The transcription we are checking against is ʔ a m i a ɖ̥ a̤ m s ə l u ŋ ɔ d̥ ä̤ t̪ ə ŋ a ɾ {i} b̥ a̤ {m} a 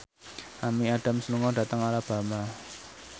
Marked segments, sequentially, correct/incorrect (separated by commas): incorrect, correct